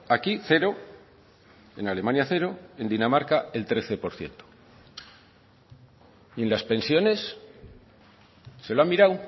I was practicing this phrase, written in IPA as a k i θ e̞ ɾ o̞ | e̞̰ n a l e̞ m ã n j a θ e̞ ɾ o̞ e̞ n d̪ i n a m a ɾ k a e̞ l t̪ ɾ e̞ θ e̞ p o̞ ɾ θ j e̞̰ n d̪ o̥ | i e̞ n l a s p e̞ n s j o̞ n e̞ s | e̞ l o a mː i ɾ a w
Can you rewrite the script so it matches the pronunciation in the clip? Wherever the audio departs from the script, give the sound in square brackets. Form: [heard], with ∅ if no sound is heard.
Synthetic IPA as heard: a k i θ e̞ ɾ o̞ | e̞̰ n a l e̞ m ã n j a θ e̞ ɾ o̞ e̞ n d̪ i n a m a ɾ k a e̞ l t̪ ɾ e̞ θ e̞ p o̞ ɾ θ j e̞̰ n [t̪] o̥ | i e̞ n l a s p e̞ n s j o̞ n e̞ s | e̞ l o a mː i ɾ a w

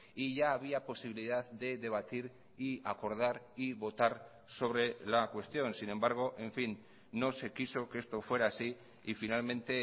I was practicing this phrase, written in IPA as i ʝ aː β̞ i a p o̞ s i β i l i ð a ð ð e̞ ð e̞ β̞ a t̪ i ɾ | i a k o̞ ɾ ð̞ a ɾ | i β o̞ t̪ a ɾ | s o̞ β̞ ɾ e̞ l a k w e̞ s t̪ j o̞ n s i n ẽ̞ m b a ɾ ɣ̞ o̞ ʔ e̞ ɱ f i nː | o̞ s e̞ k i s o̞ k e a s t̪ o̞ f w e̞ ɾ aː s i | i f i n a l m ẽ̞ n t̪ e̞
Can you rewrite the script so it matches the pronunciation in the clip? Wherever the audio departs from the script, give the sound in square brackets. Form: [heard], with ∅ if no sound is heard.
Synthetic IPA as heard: i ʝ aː β̞ i a p o̞ s i β i l i ð a ð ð e̞ ð e̞ β̞ a t̪ i ɾ | i a k o̞ ɾ ð̞ a ɾ | i β o̞ t̪ a ɾ | s o̞ β̞ ɾ e̞ l a k w e̞ s t̪ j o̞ n s i n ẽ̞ m b a ɾ ɣ̞ o̞ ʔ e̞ ɱ f i nː | o̞ s e̞ k i s o̞ k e [e] s t̪ o̞ f w e̞ ɾ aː s i | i f i n a l m ẽ̞ n t̪ e̞

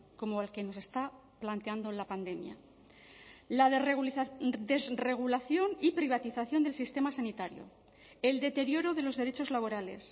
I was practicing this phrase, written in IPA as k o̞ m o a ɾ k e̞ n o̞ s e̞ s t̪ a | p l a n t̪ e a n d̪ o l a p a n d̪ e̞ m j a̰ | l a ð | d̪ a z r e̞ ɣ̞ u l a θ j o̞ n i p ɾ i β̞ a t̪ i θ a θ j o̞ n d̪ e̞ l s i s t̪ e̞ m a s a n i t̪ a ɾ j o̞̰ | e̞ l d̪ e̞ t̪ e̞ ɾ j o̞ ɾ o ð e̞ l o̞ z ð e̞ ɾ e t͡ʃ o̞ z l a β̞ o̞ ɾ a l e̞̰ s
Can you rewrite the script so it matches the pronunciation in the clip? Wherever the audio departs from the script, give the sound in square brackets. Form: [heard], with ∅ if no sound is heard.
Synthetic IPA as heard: k o̞ m o a [l] k e̞ n o̞ s e̞ s t̪ a | p l a n t̪ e a n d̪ o l a p a n d̪ e̞ m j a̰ | l a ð | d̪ [e] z r e̞ ɣ̞ u l a θ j o̞ n i p ɾ i β̞ a t̪ i θ a θ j o̞ n d̪ e̞ l s i s t̪ e̞ m a s a n i t̪ a ɾ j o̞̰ | e̞ l d̪ e̞ t̪ e̞ ɾ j o̞ ɾ o ð e̞ l o̞ z ð e̞ ɾ e t͡ʃ o̞ z l a β̞ o̞ ɾ a l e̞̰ s

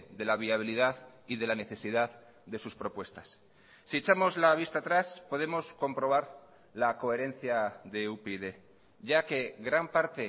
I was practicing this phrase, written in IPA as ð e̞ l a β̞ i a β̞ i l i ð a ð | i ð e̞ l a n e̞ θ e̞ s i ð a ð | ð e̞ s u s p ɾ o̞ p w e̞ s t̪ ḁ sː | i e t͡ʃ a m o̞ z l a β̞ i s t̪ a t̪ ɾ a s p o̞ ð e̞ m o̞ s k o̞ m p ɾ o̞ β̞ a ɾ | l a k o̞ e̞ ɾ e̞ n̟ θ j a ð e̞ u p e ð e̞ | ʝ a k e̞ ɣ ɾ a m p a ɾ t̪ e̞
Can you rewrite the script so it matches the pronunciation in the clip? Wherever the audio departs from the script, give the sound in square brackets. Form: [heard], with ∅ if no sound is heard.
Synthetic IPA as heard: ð e̞ l a β̞ i a β̞ i l i ð a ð | i ð e̞ l a n e̞ θ e̞ s i ð a ð | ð e̞ s u s p ɾ o̞ p w e̞ s t̪ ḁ sː | i e t͡ʃ a m o̞ z l a β̞ i s t̪ a t̪ ɾ a s p o̞ ð e̞ m o̞ s k o̞ m p ɾ o̞ β̞ a ɾ | l a k o̞ e̞ ɾ e̞ n̟ θ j a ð e̞ u p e ð e̞ | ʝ a k e̞ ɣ ɾ a m p a ɾ t̪ e̞

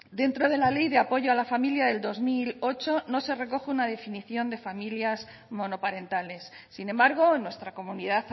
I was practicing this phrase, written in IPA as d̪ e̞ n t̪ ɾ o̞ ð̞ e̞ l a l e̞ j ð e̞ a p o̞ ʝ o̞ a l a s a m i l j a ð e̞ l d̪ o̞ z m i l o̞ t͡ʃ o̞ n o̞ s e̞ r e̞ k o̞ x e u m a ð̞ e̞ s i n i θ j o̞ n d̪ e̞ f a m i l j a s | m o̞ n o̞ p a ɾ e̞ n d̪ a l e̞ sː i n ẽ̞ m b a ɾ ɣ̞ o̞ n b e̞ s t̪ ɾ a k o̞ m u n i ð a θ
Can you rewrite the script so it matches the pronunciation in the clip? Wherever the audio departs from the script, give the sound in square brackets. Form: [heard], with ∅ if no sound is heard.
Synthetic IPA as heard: d̪ e̞ n t̪ ɾ o̞ ð̞ e̞ l a l e̞ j ð e̞ a p o̞ ʝ o̞ a l a [f] a m i l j a ð e̞ l d̪ o̞ z m i l o̞ t͡ʃ o̞ n o̞ s e̞ r e̞ k o̞ x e u [n] a ð̞ e̞ [f] i n i θ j o̞ n d̪ e̞ f a m i l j a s | m o̞ n o̞ p a ɾ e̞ n [t̪] a l e̞ sː i n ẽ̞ m b a ɾ ɣ̞ o̞ n [w] e̞ s t̪ ɾ a k o̞ m u n i ð a θ

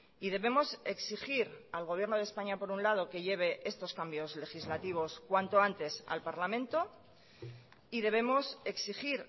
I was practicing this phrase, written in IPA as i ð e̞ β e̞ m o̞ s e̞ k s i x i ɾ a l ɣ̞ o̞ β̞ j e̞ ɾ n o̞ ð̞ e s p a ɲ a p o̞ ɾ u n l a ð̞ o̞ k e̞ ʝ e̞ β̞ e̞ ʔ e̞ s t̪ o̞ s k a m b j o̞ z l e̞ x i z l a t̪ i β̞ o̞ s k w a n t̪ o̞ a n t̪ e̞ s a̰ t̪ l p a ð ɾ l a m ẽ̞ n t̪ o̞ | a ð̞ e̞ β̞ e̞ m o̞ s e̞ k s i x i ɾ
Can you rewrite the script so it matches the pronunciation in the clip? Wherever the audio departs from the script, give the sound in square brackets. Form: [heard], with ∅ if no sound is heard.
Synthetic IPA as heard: i ð e̞ β e̞ m o̞ s e̞ k s i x i ɾ a l ɣ̞ o̞ β̞ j e̞ ɾ n o̞ ð̞ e s p a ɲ a p o̞ ɾ u n l a ð̞ o̞ k e̞ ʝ e̞ β̞ e̞ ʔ e̞ s t̪ o̞ s k a m b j o̞ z l e̞ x i z l a t̪ i β̞ o̞ s k w a n t̪ o̞ a n t̪ e̞ s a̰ [∅] l p a [∅] ɾ l a m ẽ̞ n t̪ o̞ | [i] ð̞ e̞ β̞ e̞ m o̞ s e̞ k s i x i ɾ

